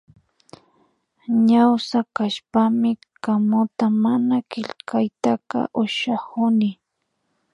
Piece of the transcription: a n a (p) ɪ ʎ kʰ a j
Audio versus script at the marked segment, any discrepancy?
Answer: yes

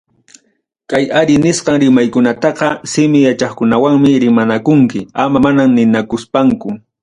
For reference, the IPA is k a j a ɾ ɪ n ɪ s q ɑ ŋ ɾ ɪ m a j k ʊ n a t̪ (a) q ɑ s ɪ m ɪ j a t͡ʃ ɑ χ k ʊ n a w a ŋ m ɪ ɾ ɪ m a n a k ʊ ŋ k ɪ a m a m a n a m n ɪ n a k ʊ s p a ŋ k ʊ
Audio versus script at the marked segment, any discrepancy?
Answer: yes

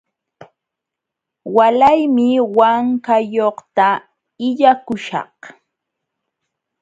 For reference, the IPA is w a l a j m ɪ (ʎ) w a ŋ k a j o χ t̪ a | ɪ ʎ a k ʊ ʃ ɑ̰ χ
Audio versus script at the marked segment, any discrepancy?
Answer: yes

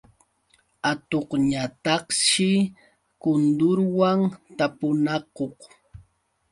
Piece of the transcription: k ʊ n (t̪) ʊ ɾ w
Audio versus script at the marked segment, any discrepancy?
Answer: yes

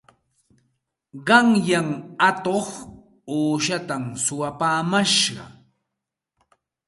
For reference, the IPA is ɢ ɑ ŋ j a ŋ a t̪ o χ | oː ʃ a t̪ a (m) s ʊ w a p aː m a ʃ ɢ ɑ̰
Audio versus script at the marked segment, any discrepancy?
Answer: no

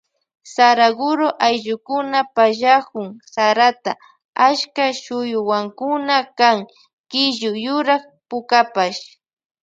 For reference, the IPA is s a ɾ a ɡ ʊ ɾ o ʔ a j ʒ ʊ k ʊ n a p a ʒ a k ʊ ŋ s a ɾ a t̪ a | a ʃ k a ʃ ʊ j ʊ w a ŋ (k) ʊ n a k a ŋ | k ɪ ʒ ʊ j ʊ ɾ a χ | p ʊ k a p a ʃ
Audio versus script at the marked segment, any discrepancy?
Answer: no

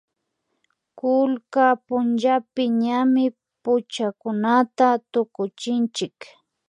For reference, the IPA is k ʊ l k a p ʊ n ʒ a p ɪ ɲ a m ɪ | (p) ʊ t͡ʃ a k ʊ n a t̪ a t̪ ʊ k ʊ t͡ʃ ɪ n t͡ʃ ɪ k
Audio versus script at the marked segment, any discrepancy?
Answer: no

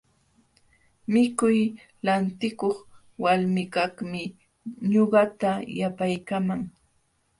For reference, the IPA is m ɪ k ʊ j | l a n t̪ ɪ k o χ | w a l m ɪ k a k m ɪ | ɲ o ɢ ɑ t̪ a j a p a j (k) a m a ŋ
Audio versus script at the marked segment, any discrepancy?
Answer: no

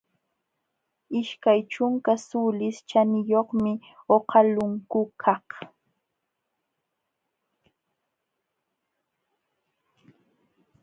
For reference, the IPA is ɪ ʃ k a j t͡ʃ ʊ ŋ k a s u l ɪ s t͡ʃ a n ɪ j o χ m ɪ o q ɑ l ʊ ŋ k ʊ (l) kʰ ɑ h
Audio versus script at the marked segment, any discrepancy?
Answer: yes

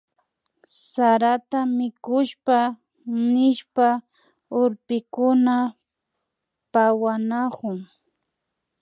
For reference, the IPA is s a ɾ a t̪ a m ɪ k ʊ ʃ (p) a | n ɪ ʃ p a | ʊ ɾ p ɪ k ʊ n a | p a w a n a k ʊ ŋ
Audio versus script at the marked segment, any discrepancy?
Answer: no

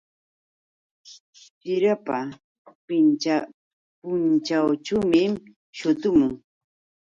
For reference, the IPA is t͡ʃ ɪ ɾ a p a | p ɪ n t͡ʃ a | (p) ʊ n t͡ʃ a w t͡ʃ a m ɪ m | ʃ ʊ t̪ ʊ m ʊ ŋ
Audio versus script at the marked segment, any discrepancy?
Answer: no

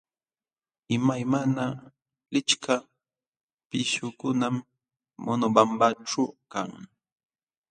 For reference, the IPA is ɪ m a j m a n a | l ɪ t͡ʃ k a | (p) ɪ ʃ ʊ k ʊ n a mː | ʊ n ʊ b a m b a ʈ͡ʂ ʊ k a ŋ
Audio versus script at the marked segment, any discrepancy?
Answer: no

